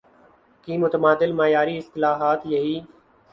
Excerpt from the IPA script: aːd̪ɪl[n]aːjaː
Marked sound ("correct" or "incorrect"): incorrect